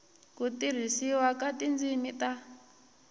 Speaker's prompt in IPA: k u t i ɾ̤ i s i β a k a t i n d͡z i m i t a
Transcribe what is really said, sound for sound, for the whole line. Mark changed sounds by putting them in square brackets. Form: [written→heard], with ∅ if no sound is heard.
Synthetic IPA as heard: k u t i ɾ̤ i s i [β→w] a k a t i n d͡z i m i t a